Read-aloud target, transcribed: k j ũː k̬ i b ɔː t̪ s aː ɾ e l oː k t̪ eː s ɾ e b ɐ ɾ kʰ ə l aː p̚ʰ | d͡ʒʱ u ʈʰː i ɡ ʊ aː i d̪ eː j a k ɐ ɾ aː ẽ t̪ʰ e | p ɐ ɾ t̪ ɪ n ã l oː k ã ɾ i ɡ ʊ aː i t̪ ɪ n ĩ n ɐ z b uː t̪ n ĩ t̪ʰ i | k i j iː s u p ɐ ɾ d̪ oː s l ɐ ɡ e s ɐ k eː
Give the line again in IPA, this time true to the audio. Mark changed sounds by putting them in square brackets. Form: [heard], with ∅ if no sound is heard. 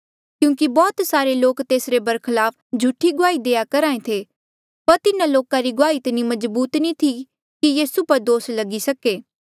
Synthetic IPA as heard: k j ũː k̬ i b ɔː t̪ s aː ɾ e l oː k t̪ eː s ɾ e b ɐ ɾ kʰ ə l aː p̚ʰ | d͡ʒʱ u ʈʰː i ɡ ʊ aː i d̪ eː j a k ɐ ɾ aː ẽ t̪ʰ e | p ɐ ɾ t̪ ɪ n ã l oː k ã ɾ i ɡ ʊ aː i t̪ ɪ n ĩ [m] ɐ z b uː t̪ n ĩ t̪ʰ i | k i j iː s u p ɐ ɾ d̪ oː s l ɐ ɡ [i] s ɐ k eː

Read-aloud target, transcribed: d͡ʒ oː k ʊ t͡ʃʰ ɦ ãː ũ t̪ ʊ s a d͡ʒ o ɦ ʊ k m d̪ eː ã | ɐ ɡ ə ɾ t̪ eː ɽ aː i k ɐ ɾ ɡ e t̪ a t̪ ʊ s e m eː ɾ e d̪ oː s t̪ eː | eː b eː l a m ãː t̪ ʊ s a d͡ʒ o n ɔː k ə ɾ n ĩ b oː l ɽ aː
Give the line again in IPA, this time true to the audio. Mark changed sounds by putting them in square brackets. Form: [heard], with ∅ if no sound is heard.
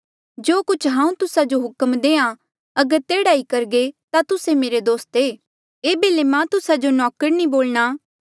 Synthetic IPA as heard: d͡ʒ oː k ʊ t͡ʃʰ ɦ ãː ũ t̪ ʊ s a d͡ʒ o ɦ ʊ k m d̪ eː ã | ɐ ɡ ə ɾ t̪ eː ɽ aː i k ɐ ɾ ɡ e t̪ a t̪ ʊ s e m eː ɾ e d̪ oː s t̪ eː | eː b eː l [e] m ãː t̪ ʊ s a d͡ʒ o n ɔː k ə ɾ n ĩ b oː l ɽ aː

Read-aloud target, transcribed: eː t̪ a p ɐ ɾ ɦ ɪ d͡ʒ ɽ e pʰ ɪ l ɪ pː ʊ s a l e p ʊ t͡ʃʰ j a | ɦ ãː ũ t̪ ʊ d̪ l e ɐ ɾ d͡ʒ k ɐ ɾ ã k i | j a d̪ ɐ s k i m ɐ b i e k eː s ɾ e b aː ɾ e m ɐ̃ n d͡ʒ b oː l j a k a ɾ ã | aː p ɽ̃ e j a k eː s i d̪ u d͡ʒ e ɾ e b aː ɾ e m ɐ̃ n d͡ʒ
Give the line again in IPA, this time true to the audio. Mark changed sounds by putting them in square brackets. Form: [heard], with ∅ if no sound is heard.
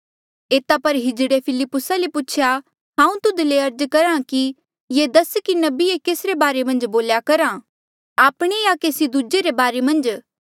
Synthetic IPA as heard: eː t̪ a p ɐ ɾ ɦ ɪ d͡ʒ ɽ e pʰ ɪ l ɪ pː ʊ s a l e p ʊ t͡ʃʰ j a | ɦ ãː ũ t̪ ʊ d̪ l e ɐ ɾ d͡ʒ k ɐ ɾ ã k i | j [e] d̪ ɐ s k i [n] ɐ b i e k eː s ɾ e b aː ɾ e m ɐ̃ n d͡ʒ b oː l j a k [ɐ] ɾ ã | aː p ɽ̃ e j a k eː s i d̪ u d͡ʒ e ɾ e b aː ɾ e m ɐ̃ n d͡ʒ

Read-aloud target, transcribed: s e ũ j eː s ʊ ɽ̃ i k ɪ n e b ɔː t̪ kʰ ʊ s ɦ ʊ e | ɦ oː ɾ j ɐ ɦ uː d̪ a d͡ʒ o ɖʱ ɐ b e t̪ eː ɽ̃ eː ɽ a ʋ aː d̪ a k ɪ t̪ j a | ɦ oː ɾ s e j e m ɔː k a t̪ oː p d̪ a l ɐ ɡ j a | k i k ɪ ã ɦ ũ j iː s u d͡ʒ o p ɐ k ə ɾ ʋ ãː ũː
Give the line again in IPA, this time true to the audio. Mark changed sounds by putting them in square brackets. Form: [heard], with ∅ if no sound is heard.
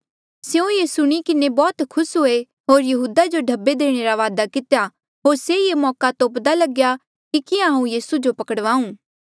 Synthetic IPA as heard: s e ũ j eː s ʊ ɽ̃ i k ɪ n e b ɔː t̪ kʰ ʊ s ɦ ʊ e | ɦ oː ɾ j ɐ ɦ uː d̪ a d͡ʒ o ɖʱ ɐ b e [d̪] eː ɽ̃ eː [ɾ] a ʋ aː d̪ a k ɪ t̪ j a | ɦ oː ɾ s e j e m ɔː k a t̪ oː p d̪ a l ɐ ɡ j a | k i k ɪ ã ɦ ũ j iː s u d͡ʒ o p ɐ k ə [ɽ] ʋ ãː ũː

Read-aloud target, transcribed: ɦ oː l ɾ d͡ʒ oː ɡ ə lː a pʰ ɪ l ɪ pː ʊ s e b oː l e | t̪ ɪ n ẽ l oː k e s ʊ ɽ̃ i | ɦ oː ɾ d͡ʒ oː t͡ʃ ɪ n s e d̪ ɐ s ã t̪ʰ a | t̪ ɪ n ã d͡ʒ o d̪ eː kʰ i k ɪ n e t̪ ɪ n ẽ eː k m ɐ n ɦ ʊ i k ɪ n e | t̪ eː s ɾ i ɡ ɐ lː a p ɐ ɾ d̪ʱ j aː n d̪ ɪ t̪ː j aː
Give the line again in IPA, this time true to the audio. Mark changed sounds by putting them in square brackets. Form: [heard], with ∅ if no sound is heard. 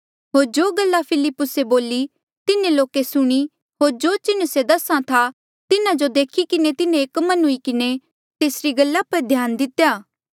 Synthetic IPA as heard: ɦ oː [∅] ɾ d͡ʒ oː ɡ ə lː a pʰ ɪ l ɪ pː ʊ s e b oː l [i] | t̪ ɪ n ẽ l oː k e s ʊ ɽ̃ i | ɦ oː ɾ d͡ʒ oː t͡ʃ ɪ n s e d̪ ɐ s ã t̪ʰ a | t̪ ɪ n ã d͡ʒ o d̪ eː kʰ i k ɪ n e t̪ ɪ n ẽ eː k m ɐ n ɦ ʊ i k ɪ n e | t̪ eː s ɾ i ɡ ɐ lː a p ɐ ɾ d̪ʱ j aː n d̪ ɪ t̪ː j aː

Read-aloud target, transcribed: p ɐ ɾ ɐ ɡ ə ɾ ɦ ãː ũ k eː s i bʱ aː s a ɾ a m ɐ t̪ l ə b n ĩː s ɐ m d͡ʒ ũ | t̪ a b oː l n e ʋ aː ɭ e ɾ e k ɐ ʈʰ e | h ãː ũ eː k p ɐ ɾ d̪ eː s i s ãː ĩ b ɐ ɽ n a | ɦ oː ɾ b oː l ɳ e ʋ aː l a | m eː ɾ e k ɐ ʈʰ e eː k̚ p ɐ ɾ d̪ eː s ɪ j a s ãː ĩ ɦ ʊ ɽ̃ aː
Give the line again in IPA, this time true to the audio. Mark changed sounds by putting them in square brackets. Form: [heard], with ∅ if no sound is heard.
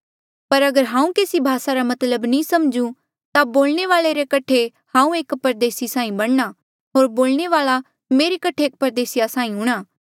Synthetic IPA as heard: p ɐ ɾ ɐ ɡ ə ɾ ɦ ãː ũ k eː s i bʱ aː s a ɾ a m ɐ t̪ l ə b n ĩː s ɐ m d͡ʒ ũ | t̪ a b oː l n e ʋ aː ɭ e ɾ e k ɐ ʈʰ e | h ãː ũ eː k p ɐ ɾ d̪ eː s i s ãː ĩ b ɐ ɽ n a | ɦ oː ɾ b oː l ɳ e ʋ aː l a | m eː ɾ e k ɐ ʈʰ e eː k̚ p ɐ ɾ d̪ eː s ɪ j a s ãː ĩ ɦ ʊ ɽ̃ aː

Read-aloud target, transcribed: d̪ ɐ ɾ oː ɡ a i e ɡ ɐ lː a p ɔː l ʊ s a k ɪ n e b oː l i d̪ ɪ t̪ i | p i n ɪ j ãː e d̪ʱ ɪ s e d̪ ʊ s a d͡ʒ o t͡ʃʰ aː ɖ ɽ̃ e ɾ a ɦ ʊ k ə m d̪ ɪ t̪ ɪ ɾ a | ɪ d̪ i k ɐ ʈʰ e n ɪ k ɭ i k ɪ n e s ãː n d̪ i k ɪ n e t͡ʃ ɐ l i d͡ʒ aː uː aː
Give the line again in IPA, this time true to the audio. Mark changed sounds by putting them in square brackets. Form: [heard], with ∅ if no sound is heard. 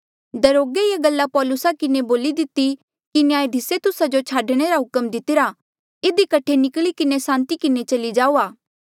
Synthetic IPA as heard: d̪ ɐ ɾ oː ɡ [e] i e ɡ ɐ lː a p ɔː l ʊ s a k ɪ n e b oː l i d̪ ɪ t̪ i | [k] i n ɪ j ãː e d̪ʱ ɪ s e [t̪] ʊ s a d͡ʒ o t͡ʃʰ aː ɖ ɽ̃ e ɾ a ɦ ʊ k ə m d̪ ɪ t̪ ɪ ɾ a | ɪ d̪ i k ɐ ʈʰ e n ɪ k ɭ i k ɪ n e s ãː n [t̪] i k ɪ n e t͡ʃ ɐ l i d͡ʒ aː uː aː

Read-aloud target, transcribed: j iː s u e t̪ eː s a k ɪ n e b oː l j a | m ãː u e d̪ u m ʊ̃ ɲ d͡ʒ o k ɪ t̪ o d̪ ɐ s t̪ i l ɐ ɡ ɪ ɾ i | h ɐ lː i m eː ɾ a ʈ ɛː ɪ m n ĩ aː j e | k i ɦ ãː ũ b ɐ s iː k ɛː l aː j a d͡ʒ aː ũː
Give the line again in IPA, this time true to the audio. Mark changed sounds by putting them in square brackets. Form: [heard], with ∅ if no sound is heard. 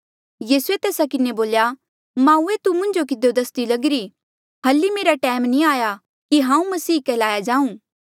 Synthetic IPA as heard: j iː s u e t̪ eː s a k ɪ n e b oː l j a | m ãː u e [t̪] u m ʊ̃ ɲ d͡ʒ o k ɪ [d̪] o d̪ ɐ s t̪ i l ɐ ɡ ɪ ɾ i | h ɐ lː i m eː ɾ a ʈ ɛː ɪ m n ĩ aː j [a] | k i ɦ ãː ũ [m] ɐ s iː k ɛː l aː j a d͡ʒ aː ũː

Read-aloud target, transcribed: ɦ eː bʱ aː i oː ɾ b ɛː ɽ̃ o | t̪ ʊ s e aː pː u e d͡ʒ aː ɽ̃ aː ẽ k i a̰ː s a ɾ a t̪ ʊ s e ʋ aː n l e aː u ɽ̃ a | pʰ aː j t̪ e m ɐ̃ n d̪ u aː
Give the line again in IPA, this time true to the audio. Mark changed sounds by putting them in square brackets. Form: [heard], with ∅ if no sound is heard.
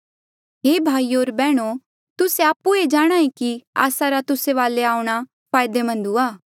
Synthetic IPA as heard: ɦ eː bʱ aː i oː ɾ b ɛː ɽ̃ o | t̪ ʊ s e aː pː u e d͡ʒ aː ɽ̃ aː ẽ k i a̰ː s a ɾ a t̪ ʊ s e ʋ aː [∅] l e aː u ɽ̃ a | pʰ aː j [d̪] e m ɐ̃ n d̪ u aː

